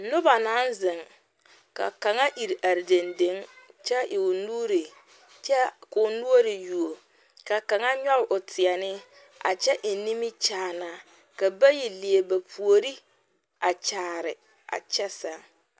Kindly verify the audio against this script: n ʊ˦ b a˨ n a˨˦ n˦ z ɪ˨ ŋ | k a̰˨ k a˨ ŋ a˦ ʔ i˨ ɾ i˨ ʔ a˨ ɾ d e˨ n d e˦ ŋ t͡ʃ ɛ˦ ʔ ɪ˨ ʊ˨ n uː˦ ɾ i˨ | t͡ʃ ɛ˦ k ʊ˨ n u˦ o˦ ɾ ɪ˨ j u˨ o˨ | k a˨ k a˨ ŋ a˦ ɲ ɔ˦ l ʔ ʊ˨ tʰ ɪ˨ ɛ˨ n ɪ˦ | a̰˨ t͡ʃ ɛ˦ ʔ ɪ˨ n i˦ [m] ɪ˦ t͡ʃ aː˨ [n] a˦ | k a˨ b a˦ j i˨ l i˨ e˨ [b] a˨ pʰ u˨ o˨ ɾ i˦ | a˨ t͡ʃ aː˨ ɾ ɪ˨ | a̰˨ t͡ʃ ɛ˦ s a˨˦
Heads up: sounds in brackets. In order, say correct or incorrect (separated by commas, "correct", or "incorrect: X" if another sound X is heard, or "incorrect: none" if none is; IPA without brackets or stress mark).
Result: correct, correct, correct